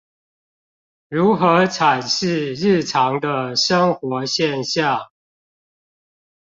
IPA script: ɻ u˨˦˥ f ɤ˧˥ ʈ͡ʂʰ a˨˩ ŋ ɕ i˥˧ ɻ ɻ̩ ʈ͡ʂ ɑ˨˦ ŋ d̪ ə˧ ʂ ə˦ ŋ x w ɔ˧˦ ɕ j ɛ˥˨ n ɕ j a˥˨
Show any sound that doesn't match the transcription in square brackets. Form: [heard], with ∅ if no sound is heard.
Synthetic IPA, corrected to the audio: ɻ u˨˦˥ [x] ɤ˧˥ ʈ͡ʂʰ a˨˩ [n] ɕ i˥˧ ɻ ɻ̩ [ʈ͡ʂʰ] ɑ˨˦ ŋ d̪ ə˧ ʂ ə˦ ŋ x w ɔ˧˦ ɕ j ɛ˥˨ n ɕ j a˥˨